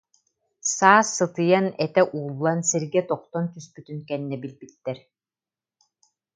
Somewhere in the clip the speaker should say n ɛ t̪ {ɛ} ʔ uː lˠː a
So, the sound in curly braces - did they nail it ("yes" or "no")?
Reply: yes